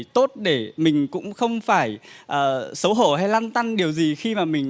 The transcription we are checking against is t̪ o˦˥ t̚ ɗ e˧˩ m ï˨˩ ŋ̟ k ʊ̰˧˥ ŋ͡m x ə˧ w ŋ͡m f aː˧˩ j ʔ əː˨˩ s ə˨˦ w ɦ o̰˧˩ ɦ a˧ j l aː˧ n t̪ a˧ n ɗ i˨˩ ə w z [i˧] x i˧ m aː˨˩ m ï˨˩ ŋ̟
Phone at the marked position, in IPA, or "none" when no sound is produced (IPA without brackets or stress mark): i˨˩